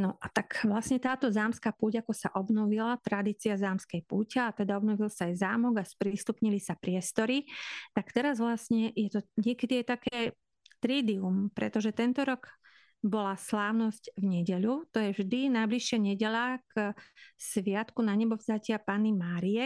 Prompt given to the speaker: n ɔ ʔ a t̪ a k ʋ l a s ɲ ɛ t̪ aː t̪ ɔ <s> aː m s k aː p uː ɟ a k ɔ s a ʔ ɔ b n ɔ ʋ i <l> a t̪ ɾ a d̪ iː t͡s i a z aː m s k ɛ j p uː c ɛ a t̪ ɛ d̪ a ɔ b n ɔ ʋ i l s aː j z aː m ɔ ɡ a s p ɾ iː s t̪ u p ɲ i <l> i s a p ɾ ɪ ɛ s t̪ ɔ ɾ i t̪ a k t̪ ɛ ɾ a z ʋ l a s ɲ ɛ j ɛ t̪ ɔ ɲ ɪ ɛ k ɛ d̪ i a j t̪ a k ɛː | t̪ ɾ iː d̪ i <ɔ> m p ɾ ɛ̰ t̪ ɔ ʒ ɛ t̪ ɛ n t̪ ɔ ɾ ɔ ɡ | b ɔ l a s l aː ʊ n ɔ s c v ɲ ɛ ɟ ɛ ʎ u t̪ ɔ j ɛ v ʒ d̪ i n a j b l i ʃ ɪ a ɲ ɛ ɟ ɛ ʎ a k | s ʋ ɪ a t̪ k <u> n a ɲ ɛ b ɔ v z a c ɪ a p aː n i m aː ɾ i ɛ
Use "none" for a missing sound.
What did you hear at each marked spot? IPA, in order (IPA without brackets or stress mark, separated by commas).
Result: z, l, l, u, u